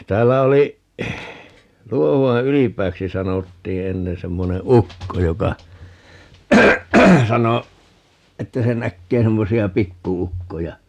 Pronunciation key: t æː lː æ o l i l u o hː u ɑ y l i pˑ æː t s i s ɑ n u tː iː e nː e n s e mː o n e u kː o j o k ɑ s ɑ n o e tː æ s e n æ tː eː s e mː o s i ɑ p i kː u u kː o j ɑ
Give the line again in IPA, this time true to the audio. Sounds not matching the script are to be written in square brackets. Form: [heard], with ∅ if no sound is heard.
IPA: t æː lː æ o l i l u o [h] u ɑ y l i pˑ æː [k] s i s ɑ n [o] tː iː e nː e n s e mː o n e u kː o j o k ɑ s ɑ n o e tː æ s e n æ [kː] eː s e mː o s i ɑ p i kː u u kː o j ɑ